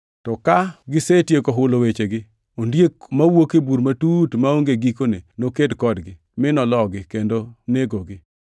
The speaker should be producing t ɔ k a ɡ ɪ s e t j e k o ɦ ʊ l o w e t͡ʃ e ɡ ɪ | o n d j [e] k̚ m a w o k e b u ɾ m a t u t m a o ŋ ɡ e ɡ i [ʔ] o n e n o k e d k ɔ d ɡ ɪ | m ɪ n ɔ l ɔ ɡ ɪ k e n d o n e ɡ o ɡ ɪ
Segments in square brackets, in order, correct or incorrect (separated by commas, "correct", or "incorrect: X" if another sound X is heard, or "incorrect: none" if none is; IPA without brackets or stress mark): correct, incorrect: k